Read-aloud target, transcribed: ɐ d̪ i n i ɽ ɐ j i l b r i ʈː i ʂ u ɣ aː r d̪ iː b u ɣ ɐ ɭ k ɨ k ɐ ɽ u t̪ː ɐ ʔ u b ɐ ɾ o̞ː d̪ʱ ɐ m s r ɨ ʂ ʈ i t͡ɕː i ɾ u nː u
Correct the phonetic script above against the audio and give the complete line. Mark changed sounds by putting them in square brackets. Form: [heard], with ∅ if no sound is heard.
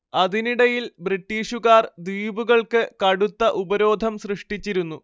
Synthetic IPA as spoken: ɐ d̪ i n i ɽ ɐ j i l b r i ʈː [iː] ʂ u ɣ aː r d̪ iː b u ɣ ɐ ɭ k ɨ k ɐ ɽ u t̪ː ɐ ʔ u b ɐ ɾ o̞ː d̪ʱ ɐ m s r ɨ ʂ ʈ i t͡ɕː i ɾ u nː u